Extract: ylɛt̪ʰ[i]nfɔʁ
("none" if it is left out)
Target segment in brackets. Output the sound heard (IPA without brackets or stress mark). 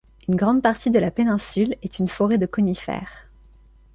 y